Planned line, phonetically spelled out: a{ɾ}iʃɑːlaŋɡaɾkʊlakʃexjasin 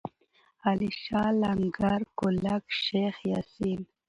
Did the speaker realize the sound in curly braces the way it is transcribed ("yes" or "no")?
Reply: no